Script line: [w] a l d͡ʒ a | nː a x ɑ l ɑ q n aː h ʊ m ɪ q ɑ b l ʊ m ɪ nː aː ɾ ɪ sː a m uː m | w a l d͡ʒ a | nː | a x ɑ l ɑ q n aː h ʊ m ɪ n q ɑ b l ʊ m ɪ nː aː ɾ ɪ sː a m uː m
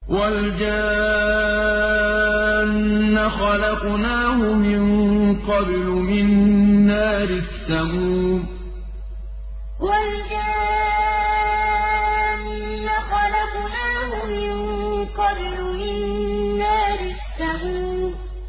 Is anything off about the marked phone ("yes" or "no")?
no